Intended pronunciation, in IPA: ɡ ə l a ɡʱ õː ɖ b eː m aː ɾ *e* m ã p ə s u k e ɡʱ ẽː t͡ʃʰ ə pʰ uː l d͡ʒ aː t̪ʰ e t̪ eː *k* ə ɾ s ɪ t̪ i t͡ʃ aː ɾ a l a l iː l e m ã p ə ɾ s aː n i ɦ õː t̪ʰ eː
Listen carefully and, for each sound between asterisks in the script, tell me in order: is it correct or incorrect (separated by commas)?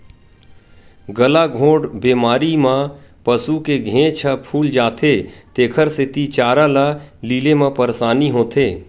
incorrect, incorrect